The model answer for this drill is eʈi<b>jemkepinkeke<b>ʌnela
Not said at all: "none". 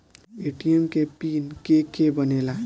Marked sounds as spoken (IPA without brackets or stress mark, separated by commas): none, b